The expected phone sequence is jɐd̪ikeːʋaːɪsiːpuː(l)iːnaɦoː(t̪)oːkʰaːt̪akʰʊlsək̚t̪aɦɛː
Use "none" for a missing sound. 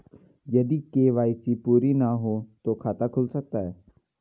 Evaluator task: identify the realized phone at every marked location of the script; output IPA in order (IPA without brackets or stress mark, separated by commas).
ɾ, t̪